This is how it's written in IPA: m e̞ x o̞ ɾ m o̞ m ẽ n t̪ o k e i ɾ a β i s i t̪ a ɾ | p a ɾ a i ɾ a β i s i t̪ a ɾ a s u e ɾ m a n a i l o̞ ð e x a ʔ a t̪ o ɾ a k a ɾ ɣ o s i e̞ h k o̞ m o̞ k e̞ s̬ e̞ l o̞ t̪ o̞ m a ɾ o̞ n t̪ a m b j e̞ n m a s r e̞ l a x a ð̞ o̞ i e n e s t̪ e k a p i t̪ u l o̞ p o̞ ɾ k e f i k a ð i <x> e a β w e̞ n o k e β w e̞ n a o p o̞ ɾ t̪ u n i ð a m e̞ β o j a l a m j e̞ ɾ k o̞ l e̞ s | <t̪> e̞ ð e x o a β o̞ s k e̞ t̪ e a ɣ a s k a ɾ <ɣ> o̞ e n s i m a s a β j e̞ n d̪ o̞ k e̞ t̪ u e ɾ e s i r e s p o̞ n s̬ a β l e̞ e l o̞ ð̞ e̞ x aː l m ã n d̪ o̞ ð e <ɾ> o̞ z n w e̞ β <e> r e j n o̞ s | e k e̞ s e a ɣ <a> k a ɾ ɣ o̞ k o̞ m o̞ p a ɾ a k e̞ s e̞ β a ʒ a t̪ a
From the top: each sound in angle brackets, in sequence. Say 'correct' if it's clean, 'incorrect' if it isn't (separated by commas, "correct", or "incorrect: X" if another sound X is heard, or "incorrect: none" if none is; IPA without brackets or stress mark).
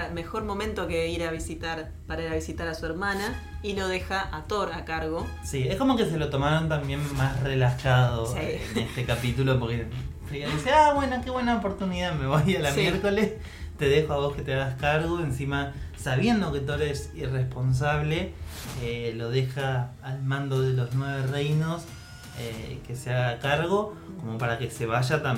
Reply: incorrect: s, correct, correct, incorrect: l, correct, correct